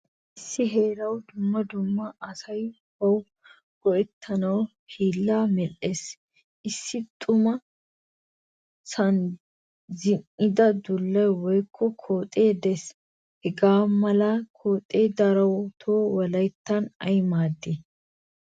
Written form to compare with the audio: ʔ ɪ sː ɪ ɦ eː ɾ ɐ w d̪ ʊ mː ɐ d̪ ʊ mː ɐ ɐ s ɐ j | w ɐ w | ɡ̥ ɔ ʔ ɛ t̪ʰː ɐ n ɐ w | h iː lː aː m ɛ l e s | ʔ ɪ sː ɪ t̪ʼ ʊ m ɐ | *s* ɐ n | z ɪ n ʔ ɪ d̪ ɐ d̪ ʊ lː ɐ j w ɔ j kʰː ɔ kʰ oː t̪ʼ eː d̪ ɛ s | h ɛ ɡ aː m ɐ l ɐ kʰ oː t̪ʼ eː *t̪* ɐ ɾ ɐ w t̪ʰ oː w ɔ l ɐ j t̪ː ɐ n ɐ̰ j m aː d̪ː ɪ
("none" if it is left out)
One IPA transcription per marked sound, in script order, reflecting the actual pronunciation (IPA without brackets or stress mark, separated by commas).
s, d̪